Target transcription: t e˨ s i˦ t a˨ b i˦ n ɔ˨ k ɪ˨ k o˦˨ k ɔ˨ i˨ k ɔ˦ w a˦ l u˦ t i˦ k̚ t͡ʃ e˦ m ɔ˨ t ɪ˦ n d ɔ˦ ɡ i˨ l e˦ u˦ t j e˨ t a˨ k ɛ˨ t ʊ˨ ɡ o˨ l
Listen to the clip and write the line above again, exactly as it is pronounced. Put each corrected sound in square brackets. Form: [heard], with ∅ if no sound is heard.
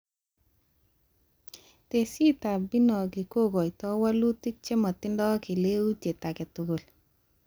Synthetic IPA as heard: t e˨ s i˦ t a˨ b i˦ n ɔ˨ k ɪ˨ k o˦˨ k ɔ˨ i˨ [t] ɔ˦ w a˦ l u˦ t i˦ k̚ t͡ʃ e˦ m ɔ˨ t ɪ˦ n d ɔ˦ [k] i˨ l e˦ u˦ t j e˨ t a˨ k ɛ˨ t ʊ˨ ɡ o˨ l